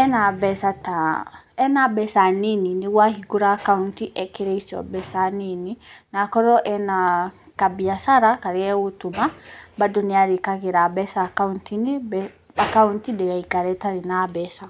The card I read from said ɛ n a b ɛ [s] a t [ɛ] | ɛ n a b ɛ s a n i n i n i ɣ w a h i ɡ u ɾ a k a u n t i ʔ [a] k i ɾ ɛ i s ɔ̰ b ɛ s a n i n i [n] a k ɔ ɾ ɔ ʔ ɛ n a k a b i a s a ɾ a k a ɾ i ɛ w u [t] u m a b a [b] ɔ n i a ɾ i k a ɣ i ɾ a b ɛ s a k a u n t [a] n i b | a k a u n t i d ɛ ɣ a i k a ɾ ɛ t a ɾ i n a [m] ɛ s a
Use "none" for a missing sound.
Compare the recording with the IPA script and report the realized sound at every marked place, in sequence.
s, a, ɛ, n, t, d, i, b

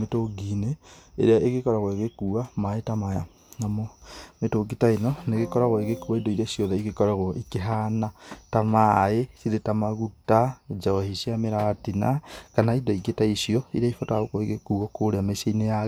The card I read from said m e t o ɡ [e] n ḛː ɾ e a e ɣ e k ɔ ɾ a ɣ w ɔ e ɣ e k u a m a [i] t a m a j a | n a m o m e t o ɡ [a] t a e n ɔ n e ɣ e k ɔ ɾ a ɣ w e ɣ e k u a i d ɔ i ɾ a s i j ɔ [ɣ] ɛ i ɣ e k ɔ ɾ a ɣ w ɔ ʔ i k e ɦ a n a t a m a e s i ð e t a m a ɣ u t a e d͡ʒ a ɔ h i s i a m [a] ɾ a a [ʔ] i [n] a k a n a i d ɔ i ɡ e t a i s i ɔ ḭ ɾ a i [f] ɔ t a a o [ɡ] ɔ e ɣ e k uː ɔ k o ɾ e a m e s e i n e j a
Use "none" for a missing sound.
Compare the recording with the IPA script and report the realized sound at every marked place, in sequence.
i, e, i, ð, e, t, n, f, k

